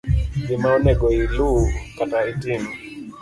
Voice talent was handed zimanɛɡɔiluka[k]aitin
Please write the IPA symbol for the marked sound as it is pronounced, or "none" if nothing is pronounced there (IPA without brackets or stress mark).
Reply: t